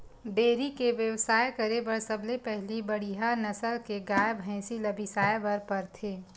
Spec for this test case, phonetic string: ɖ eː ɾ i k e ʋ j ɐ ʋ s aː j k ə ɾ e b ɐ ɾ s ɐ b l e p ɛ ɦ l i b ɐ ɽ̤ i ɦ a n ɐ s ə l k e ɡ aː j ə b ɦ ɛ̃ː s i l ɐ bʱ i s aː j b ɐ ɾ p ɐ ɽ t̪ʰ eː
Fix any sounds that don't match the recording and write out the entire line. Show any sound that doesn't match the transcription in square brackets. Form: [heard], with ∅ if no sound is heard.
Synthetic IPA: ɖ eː ɾ i k e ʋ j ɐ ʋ s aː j k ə ɾ e b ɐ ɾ s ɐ b l e p ɛ ɦ l i b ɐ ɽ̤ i ɦ a n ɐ s ə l k e ɡ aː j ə b ɦ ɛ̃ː s i l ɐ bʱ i s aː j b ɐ ɾ p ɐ [ɾ] t̪ʰ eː